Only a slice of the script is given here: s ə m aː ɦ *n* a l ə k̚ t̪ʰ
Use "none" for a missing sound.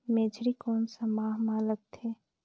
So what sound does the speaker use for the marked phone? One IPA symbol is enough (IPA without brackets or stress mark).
m